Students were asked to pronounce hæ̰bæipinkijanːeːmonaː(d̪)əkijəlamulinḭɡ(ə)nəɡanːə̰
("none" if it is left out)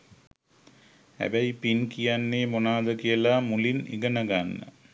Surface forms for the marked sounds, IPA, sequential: d̪, ə

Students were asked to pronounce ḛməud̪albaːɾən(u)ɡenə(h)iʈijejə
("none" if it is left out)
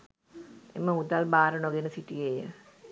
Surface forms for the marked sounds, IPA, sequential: o, s

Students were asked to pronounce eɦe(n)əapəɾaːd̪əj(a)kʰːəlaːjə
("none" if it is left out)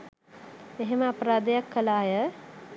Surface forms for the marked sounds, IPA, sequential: m, a

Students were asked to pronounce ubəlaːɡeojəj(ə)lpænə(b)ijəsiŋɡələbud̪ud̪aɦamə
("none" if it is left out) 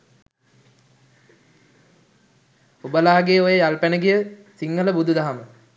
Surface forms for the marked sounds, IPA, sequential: a, ɡ

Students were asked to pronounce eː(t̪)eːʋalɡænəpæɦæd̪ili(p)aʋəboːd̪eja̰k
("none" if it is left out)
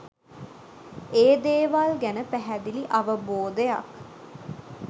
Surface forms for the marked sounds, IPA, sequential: d̪, ʔ

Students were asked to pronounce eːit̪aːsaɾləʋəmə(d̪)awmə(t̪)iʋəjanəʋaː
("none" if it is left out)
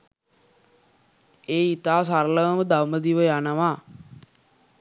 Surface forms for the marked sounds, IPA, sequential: d̪, d̪

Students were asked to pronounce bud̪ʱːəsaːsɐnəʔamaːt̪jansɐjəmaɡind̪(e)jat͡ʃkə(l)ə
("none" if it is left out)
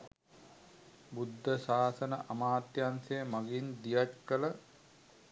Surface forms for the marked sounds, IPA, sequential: i, l

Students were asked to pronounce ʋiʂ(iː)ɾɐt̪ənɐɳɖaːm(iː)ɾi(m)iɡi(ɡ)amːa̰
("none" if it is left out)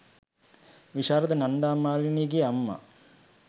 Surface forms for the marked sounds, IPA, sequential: aː, aː, n, none

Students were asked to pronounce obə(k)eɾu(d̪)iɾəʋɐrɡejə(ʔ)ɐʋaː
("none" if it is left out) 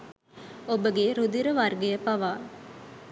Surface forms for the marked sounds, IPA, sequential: ɡ, d̪, p

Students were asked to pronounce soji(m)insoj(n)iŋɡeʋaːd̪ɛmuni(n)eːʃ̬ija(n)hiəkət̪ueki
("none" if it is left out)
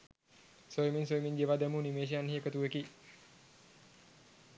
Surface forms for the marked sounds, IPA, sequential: m, m, m, n

